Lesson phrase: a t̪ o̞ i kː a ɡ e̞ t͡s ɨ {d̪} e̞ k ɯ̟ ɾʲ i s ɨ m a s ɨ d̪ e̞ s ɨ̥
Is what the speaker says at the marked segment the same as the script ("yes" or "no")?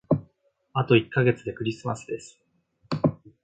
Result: yes